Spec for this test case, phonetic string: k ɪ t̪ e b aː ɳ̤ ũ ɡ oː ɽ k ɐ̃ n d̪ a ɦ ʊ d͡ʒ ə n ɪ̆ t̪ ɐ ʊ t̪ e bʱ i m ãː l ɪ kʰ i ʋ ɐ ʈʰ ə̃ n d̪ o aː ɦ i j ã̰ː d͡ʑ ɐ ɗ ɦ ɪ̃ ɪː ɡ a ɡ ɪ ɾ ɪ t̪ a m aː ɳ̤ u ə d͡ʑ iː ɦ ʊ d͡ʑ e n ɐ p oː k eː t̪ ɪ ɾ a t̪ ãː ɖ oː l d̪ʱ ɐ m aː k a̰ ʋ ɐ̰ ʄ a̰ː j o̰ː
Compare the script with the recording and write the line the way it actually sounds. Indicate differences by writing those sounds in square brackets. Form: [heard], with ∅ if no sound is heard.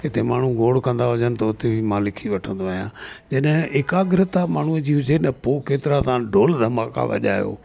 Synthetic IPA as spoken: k ɪ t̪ e [m] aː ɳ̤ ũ ɡ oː ɽ k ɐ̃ n d̪ a ɦ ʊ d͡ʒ ə n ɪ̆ t̪ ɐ ʊ t̪ e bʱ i m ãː l ɪ kʰ i ʋ ɐ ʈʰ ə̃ n d̪ o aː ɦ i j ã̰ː d͡ʑ ɐ ɗ ɦ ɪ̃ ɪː [k] a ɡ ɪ ɾ ɪ t̪ a m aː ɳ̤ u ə d͡ʑ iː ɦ ʊ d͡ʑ e n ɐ p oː k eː t̪ ɪ ɾ a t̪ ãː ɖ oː l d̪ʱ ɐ m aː k a̰ ʋ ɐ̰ ʄ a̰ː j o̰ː